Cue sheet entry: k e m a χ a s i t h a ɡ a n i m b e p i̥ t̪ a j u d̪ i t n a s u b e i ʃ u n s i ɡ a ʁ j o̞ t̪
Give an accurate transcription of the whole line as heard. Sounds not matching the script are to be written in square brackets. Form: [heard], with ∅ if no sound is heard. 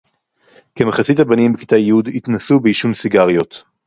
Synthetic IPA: k e m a χ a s i t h a [b] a n i m b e [k] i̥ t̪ a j u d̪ i t n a s u b e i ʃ u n s i ɡ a ʁ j o̞ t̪

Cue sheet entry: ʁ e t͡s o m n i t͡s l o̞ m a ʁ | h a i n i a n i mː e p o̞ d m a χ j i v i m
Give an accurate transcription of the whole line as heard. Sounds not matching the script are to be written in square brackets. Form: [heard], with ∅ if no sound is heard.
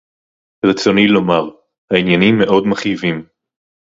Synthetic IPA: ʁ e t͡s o [∅] n i [∅] l o̞ m a ʁ | h a i n [j] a n i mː e [ʔ] o̞ d m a χ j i v i m

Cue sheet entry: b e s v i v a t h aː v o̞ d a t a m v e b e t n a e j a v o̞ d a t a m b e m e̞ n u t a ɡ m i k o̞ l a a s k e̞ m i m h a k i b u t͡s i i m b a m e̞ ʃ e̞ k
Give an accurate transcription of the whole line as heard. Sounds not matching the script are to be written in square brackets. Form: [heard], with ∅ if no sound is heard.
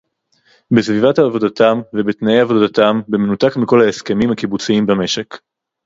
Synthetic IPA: b e s v i v a t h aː v o̞ d a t a m v e b e t n a e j a v o̞ d a t a m b e m e̞ n u t a [k] m i k o̞ l a [e] s k e̞ m i m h a k i b u t͡s i i m b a m e̞ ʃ e̞ k

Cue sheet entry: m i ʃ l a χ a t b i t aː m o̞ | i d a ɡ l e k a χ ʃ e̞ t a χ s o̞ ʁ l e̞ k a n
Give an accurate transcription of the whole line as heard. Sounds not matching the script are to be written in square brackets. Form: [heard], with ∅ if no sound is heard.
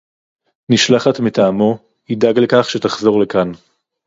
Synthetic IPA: [n] i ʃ l a χ a t [m] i t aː m o̞ | i d a ɡ l e k a χ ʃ e̞ t a χ [z] o̞ ʁ l e̞ k a n

